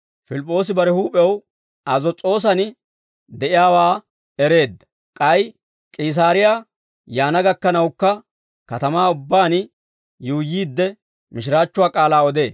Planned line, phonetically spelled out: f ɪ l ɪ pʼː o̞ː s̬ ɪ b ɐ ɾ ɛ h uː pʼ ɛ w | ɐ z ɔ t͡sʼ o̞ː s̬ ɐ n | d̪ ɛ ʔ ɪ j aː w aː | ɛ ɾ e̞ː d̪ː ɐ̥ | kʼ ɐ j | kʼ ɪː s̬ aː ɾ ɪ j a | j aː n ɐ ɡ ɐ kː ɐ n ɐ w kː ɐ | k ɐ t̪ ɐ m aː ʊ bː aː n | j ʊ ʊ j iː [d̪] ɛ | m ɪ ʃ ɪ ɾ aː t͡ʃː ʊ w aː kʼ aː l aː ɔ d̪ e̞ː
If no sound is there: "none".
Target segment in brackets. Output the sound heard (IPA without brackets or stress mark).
d̪ː